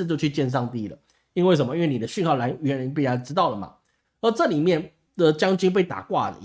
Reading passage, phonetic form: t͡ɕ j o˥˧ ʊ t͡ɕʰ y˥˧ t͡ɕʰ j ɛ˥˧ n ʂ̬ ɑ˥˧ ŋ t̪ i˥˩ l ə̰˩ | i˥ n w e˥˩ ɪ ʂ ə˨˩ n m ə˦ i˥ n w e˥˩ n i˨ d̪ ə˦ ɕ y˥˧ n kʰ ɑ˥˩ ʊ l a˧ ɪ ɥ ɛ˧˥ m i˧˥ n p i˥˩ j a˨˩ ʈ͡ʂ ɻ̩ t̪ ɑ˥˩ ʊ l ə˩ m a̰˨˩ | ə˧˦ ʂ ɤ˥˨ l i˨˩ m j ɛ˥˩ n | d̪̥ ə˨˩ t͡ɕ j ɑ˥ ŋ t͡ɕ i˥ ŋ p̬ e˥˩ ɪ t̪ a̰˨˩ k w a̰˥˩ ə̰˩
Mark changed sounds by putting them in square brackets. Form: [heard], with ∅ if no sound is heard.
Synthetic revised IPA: t͡ɕ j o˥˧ ʊ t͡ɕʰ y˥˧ [t͡ɕ] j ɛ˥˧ n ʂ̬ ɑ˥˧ ŋ t̪ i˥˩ l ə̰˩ | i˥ n w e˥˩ ɪ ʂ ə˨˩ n m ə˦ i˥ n w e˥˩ n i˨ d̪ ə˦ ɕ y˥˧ n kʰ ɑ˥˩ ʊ l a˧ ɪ ɥ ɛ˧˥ [n] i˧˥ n p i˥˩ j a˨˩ ʈ͡ʂ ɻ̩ t̪ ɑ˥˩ ʊ l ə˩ m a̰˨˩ | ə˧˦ [ʈ͡ʂ] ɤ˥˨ l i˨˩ m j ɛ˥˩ n | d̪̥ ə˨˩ t͡ɕ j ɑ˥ ŋ t͡ɕ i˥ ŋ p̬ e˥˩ ɪ t̪ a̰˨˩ k w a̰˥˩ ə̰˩